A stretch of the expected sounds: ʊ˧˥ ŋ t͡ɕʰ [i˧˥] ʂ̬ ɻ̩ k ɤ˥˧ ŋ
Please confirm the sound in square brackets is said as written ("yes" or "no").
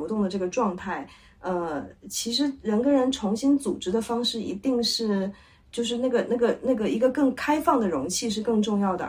no